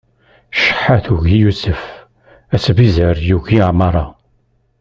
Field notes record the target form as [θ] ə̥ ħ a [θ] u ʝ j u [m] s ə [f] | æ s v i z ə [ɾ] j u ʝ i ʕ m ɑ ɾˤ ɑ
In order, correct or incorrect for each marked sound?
incorrect, correct, incorrect, correct, correct

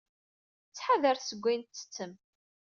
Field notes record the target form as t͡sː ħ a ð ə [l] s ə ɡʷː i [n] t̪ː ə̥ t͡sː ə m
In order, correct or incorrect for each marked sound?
incorrect, correct

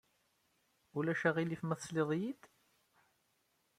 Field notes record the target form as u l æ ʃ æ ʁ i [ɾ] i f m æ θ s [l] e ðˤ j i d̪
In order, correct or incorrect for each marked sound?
incorrect, correct

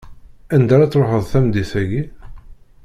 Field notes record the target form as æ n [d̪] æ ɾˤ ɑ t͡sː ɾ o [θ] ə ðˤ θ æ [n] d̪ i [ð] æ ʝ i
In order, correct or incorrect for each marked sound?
correct, incorrect, incorrect, incorrect

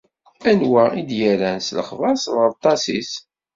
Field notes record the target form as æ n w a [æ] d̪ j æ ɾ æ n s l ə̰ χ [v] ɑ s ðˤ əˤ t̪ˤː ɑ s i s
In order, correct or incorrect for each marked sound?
incorrect, correct

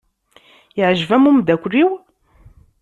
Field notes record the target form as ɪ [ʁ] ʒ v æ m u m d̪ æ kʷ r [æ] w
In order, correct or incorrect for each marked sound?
incorrect, incorrect

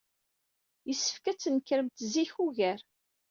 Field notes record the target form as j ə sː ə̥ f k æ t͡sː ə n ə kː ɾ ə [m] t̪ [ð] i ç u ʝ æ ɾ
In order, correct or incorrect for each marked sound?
correct, incorrect

